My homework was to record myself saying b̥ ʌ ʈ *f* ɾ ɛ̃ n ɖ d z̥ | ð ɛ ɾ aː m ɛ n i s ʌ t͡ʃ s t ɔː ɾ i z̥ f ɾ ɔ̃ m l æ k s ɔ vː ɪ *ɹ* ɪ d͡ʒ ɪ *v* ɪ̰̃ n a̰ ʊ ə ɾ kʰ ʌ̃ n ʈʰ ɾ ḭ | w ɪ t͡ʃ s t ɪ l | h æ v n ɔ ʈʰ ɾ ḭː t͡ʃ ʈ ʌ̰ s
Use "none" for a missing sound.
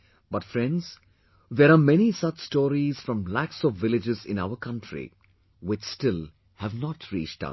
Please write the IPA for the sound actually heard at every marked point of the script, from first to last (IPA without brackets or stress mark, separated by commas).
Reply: f, l, z